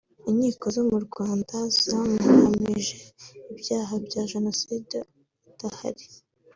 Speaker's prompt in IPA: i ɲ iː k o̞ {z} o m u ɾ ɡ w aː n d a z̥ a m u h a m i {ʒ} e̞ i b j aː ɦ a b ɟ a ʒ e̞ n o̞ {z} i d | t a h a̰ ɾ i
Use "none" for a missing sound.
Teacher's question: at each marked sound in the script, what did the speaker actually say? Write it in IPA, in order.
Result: z, ʒ, s

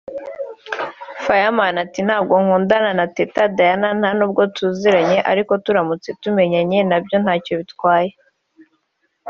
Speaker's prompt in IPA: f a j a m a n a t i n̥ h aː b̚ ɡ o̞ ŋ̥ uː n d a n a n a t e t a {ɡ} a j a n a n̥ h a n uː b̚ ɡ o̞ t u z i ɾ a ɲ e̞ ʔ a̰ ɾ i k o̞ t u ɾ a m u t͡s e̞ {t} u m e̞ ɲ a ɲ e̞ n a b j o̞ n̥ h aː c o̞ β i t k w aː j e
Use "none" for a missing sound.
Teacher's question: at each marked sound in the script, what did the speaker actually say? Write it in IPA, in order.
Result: d, t

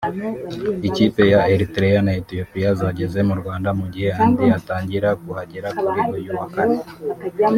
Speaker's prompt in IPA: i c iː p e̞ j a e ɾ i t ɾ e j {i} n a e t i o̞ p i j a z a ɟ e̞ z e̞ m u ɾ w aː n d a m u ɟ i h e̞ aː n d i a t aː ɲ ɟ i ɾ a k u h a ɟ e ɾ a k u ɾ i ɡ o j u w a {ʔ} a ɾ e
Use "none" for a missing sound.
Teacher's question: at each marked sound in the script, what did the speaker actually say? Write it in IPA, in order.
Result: a, k

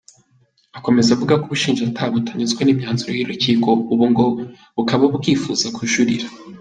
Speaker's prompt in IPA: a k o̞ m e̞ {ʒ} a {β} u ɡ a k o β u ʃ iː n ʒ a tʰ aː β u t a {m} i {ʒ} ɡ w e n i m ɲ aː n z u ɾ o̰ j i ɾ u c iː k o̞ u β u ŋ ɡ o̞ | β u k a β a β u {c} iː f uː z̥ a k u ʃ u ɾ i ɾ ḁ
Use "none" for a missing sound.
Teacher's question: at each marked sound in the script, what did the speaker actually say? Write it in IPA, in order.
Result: z, v, ɲ, z, k

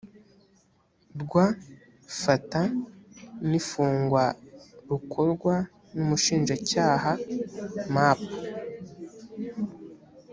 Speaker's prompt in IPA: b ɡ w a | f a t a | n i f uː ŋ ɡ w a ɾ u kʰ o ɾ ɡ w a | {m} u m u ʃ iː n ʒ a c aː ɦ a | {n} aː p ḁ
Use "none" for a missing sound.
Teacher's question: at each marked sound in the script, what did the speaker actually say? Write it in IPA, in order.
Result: n, m

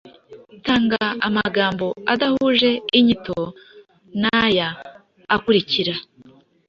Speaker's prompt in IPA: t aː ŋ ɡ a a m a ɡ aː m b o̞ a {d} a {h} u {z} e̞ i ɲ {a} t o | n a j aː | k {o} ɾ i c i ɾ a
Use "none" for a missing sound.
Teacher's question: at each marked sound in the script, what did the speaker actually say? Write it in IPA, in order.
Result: d, h, ʒ, i, u

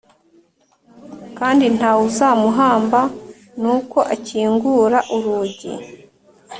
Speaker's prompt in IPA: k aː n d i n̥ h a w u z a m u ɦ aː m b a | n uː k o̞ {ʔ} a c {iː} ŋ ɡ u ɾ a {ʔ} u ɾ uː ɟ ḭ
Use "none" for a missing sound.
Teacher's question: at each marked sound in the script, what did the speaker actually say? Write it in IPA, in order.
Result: ʔ, iː, ʔ

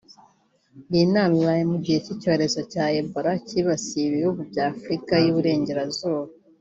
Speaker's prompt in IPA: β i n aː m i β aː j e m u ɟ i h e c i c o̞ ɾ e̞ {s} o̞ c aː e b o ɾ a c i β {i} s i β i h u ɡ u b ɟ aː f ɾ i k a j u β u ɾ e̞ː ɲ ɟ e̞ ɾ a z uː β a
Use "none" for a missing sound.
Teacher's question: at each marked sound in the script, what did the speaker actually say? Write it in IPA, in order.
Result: z, a

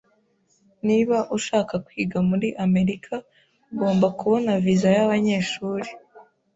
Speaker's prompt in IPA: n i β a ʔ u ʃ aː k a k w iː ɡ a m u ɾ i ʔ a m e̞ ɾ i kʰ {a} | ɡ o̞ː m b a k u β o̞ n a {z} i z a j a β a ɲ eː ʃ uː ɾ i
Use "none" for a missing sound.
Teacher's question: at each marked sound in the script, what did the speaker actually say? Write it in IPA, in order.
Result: a, v

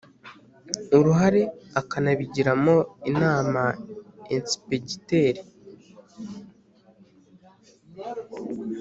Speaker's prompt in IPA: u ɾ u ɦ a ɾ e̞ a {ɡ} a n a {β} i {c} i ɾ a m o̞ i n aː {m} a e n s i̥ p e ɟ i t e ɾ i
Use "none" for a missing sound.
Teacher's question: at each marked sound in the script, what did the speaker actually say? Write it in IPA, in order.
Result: k, β, ɟ, m

